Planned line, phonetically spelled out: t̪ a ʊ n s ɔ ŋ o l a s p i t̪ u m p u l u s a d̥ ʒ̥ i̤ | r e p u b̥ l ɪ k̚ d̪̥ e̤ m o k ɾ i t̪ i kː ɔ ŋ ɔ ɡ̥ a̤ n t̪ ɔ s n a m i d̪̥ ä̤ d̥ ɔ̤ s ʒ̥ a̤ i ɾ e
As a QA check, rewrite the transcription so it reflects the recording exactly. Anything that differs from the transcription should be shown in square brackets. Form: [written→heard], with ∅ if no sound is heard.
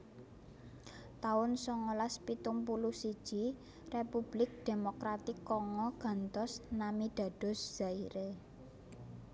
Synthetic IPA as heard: t̪ a ʊ n s ɔ ŋ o l a s p i t̪ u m p u l u s [a→i] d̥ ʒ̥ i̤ | r e p u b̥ l ɪ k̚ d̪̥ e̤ m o k ɾ [i→a] t̪ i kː ɔ ŋ ɔ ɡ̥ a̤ n t̪ ɔ s n a m i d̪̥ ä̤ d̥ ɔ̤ s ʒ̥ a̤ i ɾ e